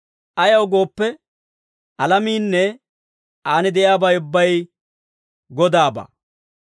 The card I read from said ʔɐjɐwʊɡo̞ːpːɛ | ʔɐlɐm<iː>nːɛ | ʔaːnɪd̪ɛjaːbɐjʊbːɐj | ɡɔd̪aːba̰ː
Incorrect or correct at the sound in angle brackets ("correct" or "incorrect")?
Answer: correct